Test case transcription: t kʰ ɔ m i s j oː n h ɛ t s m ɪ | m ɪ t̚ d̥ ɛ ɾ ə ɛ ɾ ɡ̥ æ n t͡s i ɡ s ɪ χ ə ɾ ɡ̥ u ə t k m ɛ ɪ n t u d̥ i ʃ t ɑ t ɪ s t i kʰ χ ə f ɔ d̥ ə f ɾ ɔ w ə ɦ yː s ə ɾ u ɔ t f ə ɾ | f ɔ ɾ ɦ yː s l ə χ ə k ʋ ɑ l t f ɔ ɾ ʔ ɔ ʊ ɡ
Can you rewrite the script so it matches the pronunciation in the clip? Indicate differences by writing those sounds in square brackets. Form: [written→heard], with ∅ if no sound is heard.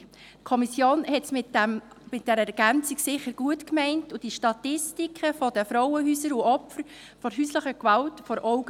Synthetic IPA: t kʰ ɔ m i s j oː n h ɛ t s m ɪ | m ɪ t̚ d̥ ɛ ɾ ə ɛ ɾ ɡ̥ æ n t͡s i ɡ s ɪ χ ə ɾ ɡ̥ u ə t k m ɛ ɪ n t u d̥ i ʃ t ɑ t ɪ s t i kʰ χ ə f ɔ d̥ ə f ɾ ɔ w ə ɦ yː s ə ɾ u ɔ [t→p] f ə ɾ | f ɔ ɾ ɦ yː s l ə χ ə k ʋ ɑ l t f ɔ ɾ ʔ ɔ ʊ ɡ